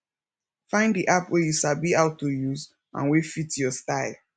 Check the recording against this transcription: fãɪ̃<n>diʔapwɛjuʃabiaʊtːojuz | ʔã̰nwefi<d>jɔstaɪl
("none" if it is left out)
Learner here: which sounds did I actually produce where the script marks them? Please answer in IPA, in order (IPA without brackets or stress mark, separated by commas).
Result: n, t